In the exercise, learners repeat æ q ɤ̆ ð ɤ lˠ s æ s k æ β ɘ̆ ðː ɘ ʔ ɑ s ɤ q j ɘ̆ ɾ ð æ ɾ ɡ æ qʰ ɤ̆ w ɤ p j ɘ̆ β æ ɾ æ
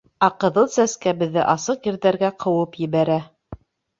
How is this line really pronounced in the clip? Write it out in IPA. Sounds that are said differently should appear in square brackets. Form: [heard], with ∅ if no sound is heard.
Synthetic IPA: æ q ɤ̆ ð ɤ lˠ s æ s k æ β ɘ̆ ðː ɘ ʔ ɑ s ɤ q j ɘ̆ ɾ ð æ ɾ ɡ æ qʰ ɤ̆ w ɤ p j ɘ̆ β æ ɾ æ